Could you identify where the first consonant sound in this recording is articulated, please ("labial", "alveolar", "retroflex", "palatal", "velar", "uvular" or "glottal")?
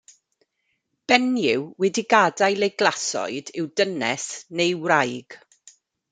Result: labial